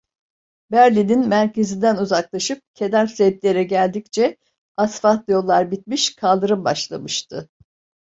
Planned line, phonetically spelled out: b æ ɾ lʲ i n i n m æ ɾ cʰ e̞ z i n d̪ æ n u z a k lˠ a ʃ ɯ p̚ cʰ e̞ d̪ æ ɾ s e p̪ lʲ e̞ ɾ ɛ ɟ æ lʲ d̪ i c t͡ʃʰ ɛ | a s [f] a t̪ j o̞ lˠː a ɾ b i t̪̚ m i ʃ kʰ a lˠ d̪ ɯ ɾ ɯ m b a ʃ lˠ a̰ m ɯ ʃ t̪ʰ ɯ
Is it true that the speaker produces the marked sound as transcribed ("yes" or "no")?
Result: yes